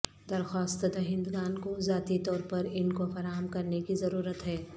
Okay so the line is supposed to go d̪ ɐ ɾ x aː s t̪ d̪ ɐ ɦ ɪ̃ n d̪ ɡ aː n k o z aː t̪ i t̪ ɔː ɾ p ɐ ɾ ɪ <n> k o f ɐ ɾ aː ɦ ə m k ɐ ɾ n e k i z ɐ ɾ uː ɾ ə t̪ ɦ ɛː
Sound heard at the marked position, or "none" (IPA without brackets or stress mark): n